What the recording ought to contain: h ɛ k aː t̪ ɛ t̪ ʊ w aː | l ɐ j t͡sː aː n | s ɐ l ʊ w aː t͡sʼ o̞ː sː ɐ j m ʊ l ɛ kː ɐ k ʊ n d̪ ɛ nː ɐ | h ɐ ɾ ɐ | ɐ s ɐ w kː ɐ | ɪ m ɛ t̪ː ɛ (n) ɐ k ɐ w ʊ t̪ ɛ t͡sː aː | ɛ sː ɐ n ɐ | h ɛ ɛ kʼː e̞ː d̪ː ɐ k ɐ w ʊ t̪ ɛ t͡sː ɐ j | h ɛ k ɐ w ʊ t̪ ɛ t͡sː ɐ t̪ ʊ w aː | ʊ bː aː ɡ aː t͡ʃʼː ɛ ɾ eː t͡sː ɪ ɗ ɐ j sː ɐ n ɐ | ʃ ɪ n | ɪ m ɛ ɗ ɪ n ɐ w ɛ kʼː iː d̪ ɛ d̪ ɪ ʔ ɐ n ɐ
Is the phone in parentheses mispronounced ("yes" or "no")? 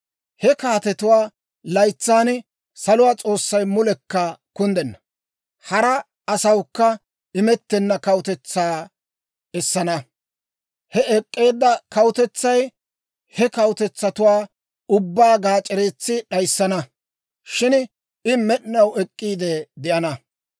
yes